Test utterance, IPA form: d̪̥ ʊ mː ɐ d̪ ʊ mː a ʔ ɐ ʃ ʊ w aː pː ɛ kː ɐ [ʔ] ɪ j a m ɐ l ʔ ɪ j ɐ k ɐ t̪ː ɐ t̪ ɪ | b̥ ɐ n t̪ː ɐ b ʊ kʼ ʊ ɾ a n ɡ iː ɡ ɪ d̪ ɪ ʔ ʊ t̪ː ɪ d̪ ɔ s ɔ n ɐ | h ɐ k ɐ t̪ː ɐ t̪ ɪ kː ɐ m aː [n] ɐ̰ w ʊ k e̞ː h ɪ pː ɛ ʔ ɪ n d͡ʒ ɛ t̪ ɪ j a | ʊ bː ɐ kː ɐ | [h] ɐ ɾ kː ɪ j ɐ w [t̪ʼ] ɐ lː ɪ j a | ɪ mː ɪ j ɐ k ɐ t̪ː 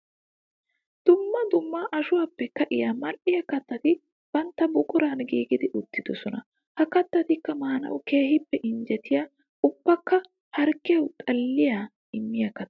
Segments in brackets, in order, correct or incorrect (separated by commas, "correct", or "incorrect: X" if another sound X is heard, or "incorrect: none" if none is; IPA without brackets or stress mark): correct, correct, correct, correct